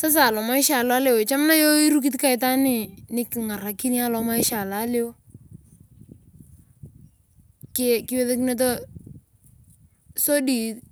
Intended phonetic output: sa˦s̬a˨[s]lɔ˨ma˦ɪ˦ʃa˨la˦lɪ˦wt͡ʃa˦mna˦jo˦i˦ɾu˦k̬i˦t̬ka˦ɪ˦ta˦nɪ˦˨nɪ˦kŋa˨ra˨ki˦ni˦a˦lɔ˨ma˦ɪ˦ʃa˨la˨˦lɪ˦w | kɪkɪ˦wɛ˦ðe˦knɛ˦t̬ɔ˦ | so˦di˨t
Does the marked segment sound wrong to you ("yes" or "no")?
yes